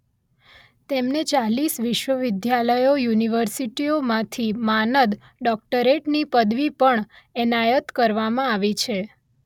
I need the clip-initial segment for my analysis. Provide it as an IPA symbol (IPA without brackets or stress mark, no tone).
t̪